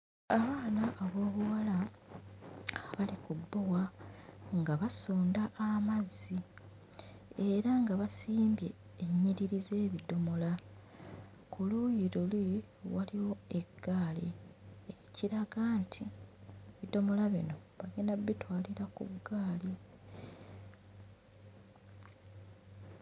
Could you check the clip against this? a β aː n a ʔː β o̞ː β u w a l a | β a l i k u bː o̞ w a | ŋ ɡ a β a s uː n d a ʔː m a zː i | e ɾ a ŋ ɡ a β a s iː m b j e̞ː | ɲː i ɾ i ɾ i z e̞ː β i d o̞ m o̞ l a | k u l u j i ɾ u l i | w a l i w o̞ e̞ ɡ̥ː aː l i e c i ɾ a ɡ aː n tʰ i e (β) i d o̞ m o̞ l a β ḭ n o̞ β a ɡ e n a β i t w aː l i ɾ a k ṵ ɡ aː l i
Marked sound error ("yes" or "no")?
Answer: no